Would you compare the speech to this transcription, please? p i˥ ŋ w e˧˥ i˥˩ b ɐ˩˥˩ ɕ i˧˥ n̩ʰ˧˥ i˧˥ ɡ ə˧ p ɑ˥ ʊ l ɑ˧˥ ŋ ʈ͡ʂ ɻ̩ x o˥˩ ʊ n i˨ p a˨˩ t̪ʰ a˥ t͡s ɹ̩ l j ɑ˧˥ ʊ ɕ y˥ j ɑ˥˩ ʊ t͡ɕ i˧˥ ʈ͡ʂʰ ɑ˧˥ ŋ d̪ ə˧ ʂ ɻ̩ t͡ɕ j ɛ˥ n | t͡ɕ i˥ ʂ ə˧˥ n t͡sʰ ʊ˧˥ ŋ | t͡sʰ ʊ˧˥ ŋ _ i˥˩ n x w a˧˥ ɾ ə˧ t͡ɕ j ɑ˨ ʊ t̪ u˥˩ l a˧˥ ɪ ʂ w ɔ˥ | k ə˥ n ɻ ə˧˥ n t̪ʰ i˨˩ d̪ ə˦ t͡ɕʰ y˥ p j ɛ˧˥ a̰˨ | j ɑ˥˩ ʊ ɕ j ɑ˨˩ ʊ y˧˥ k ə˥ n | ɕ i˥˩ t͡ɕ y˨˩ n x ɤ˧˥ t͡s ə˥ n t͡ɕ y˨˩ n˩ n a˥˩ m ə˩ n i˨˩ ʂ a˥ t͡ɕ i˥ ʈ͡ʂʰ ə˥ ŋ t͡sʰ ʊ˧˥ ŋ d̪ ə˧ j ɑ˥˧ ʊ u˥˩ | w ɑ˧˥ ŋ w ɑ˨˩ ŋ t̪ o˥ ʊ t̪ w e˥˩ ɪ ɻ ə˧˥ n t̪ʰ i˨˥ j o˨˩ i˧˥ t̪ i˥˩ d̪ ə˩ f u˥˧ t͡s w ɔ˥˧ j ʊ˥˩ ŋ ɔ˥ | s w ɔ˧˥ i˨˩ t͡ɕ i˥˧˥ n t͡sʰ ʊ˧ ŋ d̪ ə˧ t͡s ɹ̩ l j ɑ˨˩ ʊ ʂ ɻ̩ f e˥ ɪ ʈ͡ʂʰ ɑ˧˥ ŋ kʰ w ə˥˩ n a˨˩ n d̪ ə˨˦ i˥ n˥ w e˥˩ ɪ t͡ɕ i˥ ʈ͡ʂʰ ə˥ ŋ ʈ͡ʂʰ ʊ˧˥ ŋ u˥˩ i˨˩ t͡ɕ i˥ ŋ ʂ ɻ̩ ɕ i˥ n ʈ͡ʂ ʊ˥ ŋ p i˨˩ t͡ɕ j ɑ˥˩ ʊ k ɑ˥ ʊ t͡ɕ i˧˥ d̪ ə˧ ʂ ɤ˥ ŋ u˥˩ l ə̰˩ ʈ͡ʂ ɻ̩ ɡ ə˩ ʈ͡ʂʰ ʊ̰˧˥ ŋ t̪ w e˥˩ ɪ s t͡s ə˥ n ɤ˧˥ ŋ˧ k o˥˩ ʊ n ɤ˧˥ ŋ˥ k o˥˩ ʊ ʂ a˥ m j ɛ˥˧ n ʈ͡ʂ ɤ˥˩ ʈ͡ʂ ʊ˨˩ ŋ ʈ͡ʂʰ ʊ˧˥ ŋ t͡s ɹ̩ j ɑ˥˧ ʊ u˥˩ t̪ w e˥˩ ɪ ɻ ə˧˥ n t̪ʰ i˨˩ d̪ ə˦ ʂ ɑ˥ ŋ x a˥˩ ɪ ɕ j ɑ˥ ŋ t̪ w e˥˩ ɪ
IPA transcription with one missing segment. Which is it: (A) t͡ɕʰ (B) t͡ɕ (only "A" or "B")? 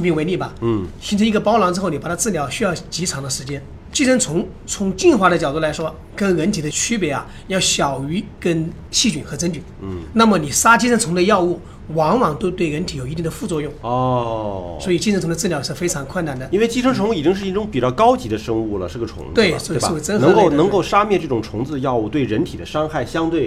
B